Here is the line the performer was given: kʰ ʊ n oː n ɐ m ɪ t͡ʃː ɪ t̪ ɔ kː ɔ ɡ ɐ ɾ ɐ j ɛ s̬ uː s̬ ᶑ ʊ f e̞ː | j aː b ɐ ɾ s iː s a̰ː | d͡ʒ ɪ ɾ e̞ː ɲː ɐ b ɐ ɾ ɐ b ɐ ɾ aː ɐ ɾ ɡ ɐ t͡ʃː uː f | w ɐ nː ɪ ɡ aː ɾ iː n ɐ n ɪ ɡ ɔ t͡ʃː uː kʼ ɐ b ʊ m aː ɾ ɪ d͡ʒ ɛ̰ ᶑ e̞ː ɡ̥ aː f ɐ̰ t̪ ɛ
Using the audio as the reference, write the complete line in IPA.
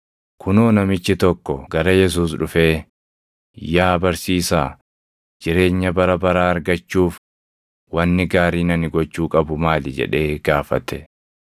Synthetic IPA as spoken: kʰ ʊ n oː n ɐ m ɪ t͡ʃː ɪ t̪ ɔ kː ɔ ɡ ɐ ɾ ɐ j ɛ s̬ uː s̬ ᶑ ʊ f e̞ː | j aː b ɐ ɾ s iː s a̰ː | d͡ʒ ɪ ɾ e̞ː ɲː ɐ b ɐ ɾ ɐ b ɐ ɾ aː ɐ ɾ ɡ ɐ t͡ʃː uː f | w ɐ nː ɪ ɡ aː ɾ iː n ɐ n ɪ ɡ ɔ t͡ʃː uː kʼ ɐ b ʊ m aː l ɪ d͡ʒ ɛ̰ ᶑ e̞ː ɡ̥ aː f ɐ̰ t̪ ɛ